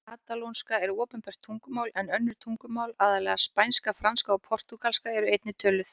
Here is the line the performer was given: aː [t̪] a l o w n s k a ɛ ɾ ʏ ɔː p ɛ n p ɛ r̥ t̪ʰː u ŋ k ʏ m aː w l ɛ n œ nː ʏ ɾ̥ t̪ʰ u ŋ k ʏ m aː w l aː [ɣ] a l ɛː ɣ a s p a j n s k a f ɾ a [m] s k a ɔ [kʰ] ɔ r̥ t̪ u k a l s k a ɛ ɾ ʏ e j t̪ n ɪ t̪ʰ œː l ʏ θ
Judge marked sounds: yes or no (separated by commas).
yes, no, no, no